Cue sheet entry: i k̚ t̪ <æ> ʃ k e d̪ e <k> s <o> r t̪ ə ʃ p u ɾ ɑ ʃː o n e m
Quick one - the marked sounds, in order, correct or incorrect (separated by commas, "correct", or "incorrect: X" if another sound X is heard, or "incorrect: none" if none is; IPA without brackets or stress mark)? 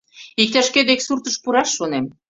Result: correct, correct, incorrect: u